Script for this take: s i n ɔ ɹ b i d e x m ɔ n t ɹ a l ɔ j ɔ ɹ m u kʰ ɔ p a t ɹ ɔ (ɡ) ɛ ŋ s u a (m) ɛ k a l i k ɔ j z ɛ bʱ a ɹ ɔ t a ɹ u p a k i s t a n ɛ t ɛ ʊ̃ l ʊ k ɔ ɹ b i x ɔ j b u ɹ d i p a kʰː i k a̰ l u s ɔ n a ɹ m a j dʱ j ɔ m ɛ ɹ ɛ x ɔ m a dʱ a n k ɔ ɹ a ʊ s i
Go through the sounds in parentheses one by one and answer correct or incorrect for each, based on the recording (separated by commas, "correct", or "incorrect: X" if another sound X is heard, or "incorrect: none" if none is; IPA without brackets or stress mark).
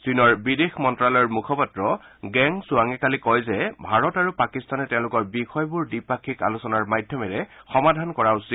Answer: correct, incorrect: ŋ